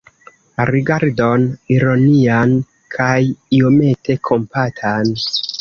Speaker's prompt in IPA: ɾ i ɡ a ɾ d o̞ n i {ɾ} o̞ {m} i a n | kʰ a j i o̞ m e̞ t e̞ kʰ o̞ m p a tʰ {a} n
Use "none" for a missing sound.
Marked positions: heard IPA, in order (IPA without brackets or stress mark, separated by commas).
ɾ, n, a